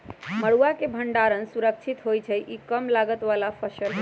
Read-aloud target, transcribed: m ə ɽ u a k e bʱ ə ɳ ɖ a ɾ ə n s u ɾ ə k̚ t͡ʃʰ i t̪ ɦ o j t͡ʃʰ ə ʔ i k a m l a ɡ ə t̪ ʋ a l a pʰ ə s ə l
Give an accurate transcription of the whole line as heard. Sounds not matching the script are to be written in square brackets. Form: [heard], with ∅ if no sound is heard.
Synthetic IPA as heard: m ə ɽ u a k e bʱ ə ɳ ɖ a ɾ ə n s u ɾ ə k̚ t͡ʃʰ i t̪ ɦ o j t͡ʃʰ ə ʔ i k [ə] m l a ɡ ə t̪ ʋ a l a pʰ ə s ə l